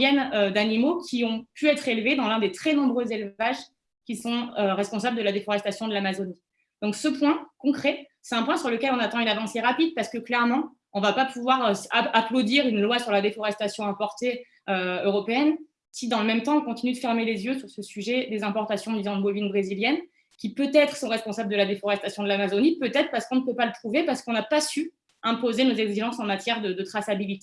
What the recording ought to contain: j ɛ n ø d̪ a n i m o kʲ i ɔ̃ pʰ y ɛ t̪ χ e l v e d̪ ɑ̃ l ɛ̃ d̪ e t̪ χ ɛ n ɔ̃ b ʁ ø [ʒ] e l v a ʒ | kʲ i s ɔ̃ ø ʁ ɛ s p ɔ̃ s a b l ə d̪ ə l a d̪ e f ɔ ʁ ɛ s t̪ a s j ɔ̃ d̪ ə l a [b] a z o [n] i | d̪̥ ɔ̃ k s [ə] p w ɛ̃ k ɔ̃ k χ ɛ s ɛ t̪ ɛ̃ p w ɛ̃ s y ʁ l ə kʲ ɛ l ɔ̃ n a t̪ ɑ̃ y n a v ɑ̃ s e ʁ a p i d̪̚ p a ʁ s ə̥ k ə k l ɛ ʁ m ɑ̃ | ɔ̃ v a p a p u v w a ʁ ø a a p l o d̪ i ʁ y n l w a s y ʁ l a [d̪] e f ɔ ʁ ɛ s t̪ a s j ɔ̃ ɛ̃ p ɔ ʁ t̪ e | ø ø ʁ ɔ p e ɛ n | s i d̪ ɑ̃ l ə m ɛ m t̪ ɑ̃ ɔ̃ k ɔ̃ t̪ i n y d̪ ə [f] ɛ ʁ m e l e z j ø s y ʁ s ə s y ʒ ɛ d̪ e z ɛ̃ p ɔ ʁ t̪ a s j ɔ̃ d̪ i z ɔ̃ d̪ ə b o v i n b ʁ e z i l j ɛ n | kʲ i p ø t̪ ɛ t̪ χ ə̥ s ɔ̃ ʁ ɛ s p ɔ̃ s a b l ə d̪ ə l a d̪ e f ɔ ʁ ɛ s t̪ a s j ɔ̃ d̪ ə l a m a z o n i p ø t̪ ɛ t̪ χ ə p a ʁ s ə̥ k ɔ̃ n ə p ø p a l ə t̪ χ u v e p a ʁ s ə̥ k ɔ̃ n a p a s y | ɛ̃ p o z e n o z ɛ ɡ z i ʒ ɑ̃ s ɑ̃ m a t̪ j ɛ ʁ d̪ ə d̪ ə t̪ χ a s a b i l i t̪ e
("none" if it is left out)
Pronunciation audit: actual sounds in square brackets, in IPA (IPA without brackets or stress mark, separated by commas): z, m, n, ə, d̪, f